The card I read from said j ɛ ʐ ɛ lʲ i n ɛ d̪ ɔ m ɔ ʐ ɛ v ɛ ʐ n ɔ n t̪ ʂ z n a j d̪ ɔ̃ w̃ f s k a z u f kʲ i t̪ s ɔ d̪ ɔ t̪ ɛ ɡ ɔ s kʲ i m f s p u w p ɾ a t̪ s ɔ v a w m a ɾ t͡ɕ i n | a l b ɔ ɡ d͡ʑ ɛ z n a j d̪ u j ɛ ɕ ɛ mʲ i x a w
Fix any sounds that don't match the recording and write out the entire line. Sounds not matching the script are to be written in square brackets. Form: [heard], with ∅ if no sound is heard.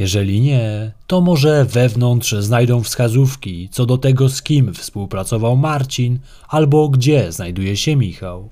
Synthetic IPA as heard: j ɛ ʐ ɛ lʲ i [ɲ] ɛ [t̪] ɔ m ɔ ʐ ɛ v ɛ [v] n ɔ n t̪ ʂ z n a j d̪ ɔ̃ w̃ f s k a z u f kʲ i t̪ s ɔ d̪ ɔ t̪ ɛ ɡ ɔ s kʲ i m f s p u w p ɾ a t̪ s ɔ v a w m a ɾ t͡ɕ i n | a l b ɔ ɡ d͡ʑ ɛ z n a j d̪ u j ɛ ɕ ɛ mʲ i x a w